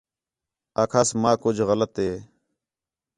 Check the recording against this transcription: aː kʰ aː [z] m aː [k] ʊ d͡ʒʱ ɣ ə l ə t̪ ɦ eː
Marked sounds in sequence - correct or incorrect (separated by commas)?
incorrect, correct